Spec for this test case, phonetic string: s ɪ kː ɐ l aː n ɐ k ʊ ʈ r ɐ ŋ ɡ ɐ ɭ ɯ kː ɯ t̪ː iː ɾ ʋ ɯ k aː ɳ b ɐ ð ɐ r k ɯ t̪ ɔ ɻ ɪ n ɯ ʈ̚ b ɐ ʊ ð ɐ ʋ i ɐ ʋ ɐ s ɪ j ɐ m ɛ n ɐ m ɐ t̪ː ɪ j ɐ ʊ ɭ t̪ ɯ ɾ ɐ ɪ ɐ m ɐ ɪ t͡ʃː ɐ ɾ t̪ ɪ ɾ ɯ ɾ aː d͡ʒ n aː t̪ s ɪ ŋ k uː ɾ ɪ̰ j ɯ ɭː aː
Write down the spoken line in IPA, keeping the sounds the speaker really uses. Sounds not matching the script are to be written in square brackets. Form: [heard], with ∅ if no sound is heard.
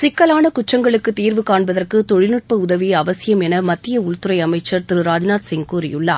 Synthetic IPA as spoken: s ɪ kː ɐ l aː n ɐ k ʊ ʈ r ɐ ŋ ɡ ɐ ɭ ɯ kː ɯ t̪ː iː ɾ ʋ ɯ k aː ɳ b ɐ ð ɐ r k ɯ t̪ ɔ ɻ ɪ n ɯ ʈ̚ [p] ɐ ʊ ð ɐ ʋ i ɐ ʋ ɐ s ɪ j ɐ m ɛ n ɐ m ɐ t̪ː ɪ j ɐ ʊ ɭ t̪ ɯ ɾ ɐ ɪ ɐ m ɐ ɪ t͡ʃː ɐ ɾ t̪ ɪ ɾ ɯ ɾ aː d͡ʒ n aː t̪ s ɪ ŋ k uː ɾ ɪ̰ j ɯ ɭː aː